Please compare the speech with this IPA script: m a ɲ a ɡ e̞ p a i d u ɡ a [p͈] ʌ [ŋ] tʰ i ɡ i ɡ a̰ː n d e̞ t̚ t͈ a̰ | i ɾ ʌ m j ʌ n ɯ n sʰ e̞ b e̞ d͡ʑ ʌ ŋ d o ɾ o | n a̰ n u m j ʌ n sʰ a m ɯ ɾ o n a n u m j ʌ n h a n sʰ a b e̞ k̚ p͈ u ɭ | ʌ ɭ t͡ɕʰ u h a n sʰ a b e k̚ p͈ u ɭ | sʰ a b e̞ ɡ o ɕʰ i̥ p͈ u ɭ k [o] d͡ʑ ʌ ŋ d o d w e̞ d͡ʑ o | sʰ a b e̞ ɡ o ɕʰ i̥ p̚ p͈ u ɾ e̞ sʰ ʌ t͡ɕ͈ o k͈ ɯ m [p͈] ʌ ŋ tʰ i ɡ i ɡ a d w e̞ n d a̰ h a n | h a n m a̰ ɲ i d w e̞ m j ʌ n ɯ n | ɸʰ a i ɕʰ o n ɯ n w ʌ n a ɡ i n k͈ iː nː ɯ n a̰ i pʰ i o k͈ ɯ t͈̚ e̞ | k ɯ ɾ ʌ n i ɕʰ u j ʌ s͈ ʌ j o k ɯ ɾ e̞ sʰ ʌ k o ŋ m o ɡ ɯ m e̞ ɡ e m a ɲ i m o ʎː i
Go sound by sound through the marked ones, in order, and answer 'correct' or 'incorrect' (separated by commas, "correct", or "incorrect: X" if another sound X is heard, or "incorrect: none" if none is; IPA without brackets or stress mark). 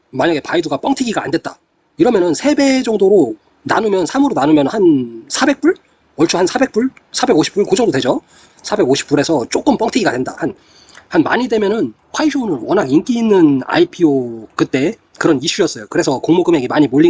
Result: correct, correct, correct, correct